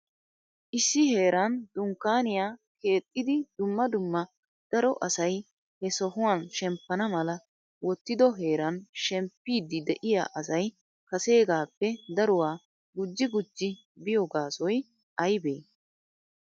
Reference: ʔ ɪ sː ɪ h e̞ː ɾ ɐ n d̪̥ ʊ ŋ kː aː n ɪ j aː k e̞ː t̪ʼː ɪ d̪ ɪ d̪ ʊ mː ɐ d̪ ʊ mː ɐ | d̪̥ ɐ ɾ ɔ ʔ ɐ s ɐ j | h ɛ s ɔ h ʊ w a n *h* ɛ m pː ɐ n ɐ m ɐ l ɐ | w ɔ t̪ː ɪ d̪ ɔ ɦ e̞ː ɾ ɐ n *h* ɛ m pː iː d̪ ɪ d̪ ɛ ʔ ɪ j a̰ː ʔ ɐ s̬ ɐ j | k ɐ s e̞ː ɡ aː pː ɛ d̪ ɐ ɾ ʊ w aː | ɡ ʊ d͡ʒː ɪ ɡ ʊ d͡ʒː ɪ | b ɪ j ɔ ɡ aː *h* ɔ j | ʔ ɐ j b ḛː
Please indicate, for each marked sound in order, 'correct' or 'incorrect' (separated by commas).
incorrect, incorrect, incorrect